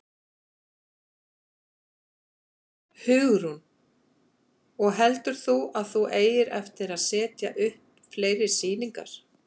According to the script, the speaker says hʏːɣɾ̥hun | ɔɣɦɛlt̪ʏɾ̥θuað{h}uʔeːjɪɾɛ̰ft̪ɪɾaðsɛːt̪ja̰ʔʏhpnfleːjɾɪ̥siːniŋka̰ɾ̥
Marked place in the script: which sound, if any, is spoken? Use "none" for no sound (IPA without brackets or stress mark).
θ